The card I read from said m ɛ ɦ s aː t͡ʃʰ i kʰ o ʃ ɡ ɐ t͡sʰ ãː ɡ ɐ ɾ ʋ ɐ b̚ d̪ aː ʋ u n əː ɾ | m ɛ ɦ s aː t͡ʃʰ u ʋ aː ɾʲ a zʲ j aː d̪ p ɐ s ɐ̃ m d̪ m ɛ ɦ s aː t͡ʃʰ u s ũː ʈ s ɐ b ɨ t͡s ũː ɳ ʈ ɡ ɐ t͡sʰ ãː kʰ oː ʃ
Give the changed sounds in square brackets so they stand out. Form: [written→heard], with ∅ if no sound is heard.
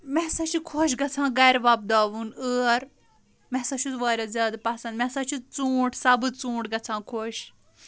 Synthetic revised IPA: m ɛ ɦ s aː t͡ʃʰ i kʰ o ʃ ɡ ɐ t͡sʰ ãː ɡ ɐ ɾ ʋ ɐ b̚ d̪ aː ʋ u n əː ɾ | m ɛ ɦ s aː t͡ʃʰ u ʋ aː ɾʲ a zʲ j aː d̪ p ɐ s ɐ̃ [m→n] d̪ m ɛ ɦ s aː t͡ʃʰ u [s→t͡s] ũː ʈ s ɐ b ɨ t͡s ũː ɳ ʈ ɡ ɐ t͡sʰ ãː kʰ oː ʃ